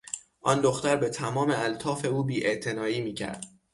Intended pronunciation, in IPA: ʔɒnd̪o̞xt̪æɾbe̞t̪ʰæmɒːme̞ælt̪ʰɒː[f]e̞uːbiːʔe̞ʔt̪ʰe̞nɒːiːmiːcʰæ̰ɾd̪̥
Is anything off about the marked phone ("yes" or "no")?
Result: no